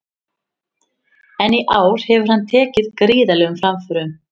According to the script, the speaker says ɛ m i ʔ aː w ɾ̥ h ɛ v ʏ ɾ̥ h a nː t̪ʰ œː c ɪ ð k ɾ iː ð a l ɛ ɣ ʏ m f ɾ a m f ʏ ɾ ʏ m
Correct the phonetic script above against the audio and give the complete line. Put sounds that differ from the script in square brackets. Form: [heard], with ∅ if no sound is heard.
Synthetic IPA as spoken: ɛ [n] i ʔ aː w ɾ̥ h ɛ v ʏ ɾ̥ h a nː t̪ʰ [ɛː] c ɪ ð k ɾ iː ð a l ɛ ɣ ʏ m f ɾ a m f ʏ ɾ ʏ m